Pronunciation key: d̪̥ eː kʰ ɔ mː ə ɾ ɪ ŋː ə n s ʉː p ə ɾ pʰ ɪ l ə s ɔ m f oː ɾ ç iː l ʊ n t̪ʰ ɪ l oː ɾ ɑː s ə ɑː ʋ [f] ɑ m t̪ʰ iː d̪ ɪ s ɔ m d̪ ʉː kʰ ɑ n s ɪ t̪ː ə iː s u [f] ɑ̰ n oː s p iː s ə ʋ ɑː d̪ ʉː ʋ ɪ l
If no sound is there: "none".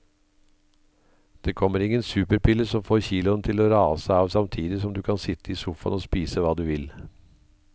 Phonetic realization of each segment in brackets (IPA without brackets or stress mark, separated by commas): s, f